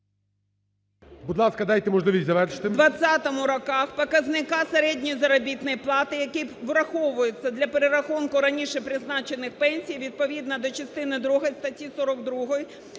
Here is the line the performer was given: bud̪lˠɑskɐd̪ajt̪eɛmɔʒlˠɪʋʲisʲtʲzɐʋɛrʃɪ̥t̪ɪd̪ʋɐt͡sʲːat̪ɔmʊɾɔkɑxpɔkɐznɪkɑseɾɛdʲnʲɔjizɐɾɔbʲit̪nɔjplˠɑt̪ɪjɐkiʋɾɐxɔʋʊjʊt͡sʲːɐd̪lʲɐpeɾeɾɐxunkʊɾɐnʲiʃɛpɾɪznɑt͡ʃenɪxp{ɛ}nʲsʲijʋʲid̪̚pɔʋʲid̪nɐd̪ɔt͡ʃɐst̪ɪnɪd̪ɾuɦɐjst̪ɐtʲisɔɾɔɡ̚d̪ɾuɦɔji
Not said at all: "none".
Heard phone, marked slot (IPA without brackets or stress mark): ɛ